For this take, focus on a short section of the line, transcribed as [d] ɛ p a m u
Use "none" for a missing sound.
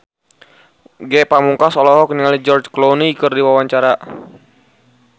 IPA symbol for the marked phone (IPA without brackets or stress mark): ɡ